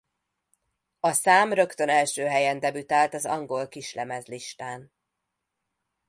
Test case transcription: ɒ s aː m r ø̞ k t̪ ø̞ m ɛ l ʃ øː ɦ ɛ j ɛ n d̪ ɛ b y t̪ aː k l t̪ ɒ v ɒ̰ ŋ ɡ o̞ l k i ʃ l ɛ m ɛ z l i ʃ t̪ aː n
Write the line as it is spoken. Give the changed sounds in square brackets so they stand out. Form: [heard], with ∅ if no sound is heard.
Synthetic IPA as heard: ɒ s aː m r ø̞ k t̪ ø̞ [n] ɛ l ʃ øː ɦ ɛ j ɛ n d̪ ɛ b y t̪ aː [∅] l t̪ ɒ [z] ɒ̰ ŋ ɡ o̞ l k i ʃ l ɛ m ɛ z l i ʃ t̪ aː n